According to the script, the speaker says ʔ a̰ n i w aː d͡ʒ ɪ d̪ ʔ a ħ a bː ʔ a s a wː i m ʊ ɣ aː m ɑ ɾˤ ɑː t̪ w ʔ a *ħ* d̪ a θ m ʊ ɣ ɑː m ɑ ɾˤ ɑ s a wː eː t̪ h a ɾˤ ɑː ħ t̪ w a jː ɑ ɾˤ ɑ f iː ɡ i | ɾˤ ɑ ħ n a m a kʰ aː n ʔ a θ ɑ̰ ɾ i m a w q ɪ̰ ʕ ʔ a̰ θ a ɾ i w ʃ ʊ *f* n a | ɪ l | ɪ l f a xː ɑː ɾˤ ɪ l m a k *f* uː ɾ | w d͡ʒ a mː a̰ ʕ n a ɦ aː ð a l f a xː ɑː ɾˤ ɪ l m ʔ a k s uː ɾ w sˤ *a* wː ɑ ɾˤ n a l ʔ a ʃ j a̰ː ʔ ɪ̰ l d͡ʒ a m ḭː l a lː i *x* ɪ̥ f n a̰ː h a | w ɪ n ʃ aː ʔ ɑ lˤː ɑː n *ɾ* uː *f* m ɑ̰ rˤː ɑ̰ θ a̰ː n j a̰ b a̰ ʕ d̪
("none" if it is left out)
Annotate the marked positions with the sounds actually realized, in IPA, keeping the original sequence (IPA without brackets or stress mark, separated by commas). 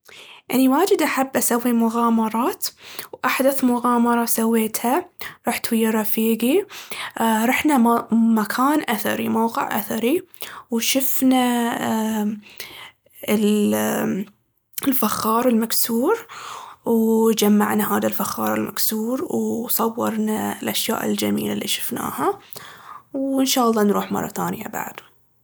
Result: ħ, f, s, ɑ, ʃ, ɾ, ħ